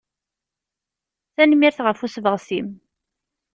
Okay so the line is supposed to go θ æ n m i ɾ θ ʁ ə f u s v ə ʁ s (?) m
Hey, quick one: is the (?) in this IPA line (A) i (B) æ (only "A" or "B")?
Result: A